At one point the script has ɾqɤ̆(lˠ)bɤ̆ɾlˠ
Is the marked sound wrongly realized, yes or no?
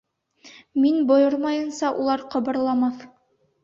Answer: yes